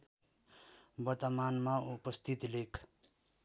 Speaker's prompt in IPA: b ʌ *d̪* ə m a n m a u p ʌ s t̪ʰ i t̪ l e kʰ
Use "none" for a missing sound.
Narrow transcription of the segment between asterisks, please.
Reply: t̪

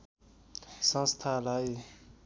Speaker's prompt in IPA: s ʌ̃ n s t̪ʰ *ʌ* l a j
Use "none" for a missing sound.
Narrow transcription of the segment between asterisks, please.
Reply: a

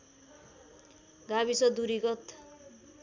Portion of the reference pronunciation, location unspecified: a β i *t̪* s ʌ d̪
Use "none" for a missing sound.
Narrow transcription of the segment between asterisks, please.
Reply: none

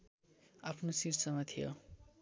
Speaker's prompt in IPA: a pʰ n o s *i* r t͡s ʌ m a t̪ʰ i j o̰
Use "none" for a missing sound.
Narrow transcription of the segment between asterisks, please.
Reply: i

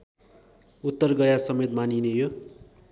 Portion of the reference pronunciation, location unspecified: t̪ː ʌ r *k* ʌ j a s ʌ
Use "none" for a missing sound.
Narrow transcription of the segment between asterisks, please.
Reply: ɡ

